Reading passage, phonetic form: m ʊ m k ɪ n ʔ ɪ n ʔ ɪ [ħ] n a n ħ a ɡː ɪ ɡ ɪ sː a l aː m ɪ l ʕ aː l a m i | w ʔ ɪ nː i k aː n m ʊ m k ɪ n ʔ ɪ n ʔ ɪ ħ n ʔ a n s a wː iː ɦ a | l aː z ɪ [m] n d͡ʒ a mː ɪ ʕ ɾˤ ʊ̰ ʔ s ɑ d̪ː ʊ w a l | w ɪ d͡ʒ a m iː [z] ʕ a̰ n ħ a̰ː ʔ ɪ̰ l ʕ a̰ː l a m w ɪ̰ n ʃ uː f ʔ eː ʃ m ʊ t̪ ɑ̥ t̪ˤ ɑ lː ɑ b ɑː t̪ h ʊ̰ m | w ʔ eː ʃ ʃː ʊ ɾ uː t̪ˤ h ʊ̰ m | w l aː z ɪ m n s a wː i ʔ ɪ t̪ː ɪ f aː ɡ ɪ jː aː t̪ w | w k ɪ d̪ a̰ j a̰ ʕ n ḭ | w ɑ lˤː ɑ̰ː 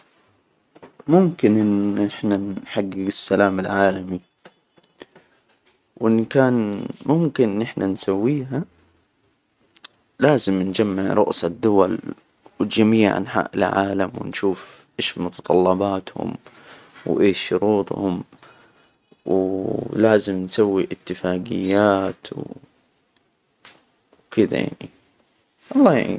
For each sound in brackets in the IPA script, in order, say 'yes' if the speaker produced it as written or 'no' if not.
yes, yes, no

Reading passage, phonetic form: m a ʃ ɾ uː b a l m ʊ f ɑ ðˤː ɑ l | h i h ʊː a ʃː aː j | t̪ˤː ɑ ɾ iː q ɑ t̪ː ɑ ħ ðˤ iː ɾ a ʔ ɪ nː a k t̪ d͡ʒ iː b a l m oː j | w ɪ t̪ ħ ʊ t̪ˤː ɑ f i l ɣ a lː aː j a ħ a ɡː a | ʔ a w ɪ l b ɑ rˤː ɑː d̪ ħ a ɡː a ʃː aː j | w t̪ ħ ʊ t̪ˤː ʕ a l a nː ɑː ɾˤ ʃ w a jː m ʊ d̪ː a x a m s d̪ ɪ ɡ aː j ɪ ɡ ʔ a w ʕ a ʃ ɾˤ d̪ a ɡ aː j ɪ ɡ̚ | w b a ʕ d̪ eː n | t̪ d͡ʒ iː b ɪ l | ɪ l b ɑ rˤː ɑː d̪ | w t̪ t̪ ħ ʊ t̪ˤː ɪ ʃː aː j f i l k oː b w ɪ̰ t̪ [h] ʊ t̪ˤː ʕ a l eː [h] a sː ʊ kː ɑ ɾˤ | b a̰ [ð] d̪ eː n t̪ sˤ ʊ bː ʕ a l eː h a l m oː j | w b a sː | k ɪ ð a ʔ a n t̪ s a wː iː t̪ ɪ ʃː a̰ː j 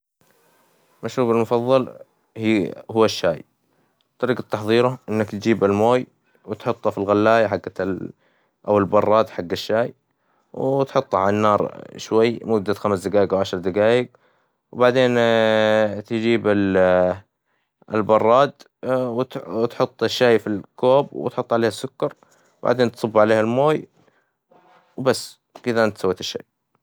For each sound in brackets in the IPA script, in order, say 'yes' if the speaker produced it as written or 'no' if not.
no, yes, no

